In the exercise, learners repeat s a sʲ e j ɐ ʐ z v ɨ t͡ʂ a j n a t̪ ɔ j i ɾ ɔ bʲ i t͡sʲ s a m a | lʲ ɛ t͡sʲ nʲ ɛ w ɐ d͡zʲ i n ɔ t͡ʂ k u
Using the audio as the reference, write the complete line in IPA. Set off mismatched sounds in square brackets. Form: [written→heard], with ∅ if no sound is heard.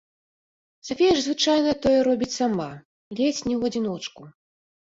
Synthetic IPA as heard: s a [sʲ→fʲ] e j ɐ ʐ z v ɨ t͡ʂ a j n [a→ɐ] t̪ ɔ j [i→ɛ] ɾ ɔ bʲ i t͡sʲ s a m a | lʲ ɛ t͡sʲ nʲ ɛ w ɐ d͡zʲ i n ɔ t͡ʂ k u